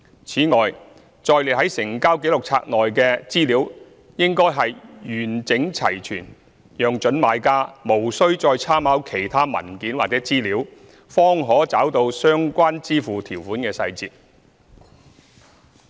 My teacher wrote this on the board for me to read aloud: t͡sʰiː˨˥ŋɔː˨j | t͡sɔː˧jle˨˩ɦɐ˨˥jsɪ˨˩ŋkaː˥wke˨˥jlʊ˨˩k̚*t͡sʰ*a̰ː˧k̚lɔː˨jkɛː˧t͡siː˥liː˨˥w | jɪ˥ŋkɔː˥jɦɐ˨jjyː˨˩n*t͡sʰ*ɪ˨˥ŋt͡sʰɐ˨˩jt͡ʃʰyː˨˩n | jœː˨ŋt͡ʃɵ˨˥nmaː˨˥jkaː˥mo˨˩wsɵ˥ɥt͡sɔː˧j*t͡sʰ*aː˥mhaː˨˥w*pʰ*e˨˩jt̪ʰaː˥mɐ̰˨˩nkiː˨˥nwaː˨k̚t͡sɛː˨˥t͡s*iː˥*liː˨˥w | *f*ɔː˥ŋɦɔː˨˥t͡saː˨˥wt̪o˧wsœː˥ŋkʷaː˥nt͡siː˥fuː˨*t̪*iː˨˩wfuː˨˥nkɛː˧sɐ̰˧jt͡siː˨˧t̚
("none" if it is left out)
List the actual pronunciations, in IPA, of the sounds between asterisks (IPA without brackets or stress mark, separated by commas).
t͡sʰ, t͡s, t͡sʰ, kʰ, iː˥, f, t̪ʰ